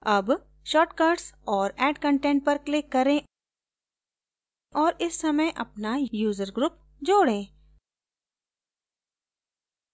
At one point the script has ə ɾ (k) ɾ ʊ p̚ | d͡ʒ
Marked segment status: incorrect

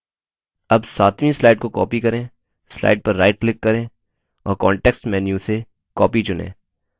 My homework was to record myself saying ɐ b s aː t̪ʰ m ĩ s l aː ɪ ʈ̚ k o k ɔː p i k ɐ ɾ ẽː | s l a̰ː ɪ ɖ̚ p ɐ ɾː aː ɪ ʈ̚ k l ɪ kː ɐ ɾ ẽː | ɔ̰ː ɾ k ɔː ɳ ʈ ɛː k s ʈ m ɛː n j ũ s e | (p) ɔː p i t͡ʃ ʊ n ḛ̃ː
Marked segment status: incorrect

